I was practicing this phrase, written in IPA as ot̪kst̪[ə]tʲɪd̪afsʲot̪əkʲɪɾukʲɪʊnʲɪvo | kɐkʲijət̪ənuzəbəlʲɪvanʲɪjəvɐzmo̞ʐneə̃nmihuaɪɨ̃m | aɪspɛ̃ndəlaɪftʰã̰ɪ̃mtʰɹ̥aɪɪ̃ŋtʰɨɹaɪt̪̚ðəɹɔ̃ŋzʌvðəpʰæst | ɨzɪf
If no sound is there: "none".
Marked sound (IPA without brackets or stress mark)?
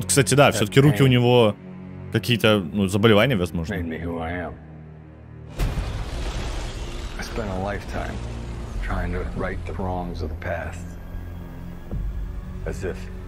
a